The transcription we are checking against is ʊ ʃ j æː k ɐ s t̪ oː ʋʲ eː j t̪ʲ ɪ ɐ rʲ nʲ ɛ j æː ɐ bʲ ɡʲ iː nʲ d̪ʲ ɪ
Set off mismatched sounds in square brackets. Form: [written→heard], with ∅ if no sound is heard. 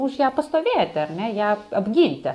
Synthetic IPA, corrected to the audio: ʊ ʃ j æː [k→p] ɐ s t̪ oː ʋʲ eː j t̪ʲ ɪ ɐ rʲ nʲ ɛ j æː ɐ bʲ ɡʲ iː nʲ [d̪ʲ→t̪ʲ] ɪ